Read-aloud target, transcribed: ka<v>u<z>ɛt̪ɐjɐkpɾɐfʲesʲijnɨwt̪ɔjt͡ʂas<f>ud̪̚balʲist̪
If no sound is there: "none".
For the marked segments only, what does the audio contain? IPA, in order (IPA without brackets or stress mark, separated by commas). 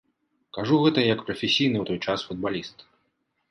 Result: ʐ, ɣ, f